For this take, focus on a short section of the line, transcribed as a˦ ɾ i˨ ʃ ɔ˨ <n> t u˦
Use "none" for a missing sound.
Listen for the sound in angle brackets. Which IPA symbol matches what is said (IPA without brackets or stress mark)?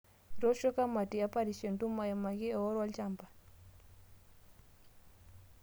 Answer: n